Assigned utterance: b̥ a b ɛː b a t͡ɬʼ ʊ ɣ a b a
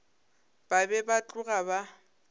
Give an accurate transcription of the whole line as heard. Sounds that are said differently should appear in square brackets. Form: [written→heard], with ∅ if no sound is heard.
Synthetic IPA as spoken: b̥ a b [ɛː→ɛ] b a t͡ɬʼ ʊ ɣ a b a